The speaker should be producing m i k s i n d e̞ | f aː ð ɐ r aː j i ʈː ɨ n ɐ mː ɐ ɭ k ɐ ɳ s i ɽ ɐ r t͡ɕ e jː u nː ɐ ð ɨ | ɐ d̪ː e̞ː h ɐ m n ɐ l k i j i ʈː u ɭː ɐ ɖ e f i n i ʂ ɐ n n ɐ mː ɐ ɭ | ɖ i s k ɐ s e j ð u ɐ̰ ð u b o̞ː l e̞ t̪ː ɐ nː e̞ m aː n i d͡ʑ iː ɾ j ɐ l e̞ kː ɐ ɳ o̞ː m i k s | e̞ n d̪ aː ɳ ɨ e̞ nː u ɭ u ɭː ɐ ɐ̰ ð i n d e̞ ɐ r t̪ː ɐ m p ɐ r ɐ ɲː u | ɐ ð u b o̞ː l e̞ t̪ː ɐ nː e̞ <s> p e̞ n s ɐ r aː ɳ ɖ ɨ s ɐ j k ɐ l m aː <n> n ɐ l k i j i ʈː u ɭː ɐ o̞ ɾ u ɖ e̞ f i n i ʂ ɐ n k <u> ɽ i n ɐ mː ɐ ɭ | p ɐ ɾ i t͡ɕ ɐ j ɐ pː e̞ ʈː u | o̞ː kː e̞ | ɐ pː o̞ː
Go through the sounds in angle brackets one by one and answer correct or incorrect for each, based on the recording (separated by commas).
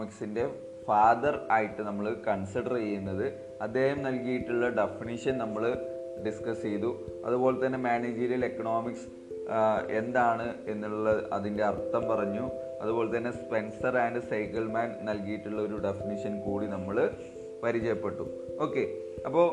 correct, correct, incorrect